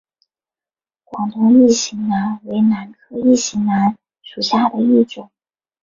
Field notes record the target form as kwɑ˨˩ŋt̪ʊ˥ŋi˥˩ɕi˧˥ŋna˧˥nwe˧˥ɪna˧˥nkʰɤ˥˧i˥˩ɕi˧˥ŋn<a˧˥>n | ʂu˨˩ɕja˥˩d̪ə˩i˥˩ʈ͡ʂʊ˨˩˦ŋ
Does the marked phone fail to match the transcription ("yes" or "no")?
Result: no